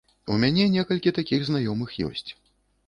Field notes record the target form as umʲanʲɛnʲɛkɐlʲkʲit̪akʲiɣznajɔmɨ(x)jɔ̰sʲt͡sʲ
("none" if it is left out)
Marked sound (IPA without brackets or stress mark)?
x